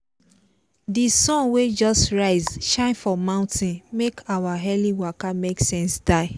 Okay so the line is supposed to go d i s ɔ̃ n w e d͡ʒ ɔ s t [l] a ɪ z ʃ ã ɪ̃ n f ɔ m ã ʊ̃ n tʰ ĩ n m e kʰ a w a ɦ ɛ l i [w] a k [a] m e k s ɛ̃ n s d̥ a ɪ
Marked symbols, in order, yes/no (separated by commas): no, yes, yes